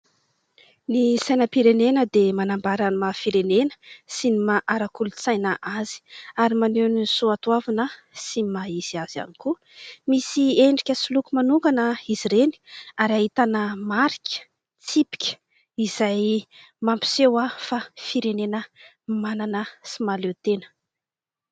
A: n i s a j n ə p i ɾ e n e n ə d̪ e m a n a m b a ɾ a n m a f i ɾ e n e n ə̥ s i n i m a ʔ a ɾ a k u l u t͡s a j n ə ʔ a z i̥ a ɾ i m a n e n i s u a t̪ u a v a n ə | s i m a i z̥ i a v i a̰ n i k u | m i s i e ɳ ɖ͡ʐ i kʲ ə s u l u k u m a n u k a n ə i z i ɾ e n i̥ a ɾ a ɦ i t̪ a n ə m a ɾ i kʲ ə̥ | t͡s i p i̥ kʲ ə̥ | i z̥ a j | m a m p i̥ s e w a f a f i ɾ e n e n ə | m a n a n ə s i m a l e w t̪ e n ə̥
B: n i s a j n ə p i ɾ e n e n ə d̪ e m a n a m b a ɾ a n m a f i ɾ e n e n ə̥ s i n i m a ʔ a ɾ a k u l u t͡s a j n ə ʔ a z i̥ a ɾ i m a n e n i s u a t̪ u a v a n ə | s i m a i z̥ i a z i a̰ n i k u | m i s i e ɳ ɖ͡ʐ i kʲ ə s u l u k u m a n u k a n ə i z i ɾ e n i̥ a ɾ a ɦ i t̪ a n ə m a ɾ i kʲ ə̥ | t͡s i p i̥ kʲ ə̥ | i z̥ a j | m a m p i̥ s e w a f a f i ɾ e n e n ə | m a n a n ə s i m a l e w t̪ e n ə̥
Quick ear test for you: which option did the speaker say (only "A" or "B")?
B